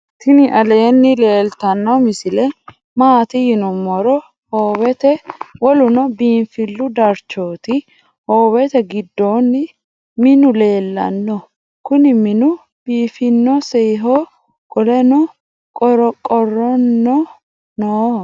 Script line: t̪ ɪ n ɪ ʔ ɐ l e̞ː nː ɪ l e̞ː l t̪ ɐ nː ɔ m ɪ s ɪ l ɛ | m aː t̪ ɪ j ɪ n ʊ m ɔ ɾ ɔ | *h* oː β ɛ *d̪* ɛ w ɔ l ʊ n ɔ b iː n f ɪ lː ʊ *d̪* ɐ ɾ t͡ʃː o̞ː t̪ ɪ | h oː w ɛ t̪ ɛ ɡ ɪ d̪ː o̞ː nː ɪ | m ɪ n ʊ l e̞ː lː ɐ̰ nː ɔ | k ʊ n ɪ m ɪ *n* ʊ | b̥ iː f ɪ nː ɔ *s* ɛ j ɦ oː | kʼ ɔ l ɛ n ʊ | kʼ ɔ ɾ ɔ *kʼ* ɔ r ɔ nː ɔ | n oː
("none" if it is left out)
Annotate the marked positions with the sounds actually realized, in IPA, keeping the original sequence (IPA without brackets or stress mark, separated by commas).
h, t̪, d̪, n, s, kʼ